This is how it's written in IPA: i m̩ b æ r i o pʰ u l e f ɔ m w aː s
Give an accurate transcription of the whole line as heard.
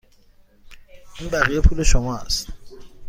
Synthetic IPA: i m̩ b a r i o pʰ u l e ʃ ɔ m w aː s